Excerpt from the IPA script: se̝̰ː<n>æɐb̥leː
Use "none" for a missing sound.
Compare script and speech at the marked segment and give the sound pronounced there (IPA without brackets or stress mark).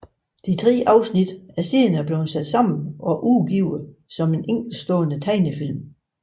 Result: n